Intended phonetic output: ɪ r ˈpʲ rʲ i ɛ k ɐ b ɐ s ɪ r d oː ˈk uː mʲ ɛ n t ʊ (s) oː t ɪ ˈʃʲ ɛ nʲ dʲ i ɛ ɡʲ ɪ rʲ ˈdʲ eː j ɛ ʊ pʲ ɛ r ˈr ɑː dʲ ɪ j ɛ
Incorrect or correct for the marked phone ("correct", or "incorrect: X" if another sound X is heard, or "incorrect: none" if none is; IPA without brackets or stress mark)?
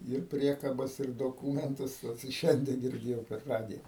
correct